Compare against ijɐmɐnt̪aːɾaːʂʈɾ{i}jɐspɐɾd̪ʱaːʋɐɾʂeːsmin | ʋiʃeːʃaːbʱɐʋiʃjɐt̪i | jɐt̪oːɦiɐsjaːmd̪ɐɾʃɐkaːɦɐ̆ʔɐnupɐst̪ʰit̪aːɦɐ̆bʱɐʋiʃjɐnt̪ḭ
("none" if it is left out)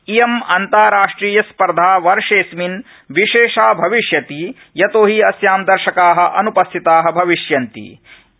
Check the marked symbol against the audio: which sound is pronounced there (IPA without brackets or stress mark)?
iː